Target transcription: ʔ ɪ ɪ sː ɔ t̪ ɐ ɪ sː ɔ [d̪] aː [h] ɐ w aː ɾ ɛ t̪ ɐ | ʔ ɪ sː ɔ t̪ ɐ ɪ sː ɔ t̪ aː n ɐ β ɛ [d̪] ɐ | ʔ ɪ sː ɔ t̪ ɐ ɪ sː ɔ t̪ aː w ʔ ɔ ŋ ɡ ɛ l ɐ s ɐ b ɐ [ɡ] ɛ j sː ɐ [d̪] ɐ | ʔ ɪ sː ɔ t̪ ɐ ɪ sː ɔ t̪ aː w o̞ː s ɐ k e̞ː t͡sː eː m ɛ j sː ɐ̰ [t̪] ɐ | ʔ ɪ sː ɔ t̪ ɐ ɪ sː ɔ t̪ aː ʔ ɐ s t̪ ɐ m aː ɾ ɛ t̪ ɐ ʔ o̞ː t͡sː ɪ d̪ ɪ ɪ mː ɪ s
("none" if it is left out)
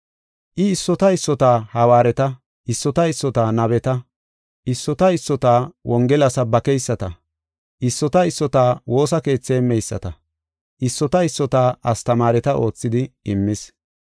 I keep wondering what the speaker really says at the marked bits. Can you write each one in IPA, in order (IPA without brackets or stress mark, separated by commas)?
t̪, h, t̪, k, t̪, t̪